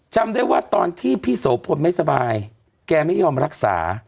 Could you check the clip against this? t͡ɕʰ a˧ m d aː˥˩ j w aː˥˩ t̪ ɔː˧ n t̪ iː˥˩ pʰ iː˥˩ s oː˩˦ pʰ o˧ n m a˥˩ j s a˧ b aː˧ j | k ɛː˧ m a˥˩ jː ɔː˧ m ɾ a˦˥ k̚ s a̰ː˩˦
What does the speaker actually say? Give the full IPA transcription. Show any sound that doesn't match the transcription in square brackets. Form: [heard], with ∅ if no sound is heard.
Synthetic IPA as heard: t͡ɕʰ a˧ m d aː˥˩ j w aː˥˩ t̪ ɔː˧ n [t̪ʰ] iː˥˩ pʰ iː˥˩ s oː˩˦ pʰ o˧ n m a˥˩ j s a˧ b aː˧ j | k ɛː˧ m a˥˩ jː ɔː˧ m ɾ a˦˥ k̚ s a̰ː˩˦